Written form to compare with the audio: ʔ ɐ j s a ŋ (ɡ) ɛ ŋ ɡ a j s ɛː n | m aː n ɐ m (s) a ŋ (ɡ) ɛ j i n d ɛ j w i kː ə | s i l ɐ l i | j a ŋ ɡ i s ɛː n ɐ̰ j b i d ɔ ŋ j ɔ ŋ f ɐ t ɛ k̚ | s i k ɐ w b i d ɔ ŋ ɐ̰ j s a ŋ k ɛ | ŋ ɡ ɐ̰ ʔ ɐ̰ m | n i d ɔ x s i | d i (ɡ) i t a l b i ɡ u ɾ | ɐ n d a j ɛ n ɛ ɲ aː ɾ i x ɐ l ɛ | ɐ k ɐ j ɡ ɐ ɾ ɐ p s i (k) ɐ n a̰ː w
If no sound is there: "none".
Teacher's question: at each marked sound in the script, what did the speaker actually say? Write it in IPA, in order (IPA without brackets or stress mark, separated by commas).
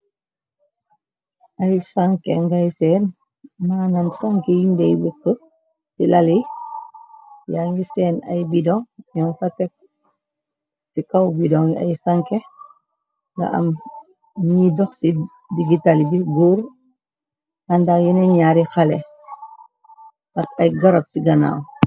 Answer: k, s, k, ɡ, ɡ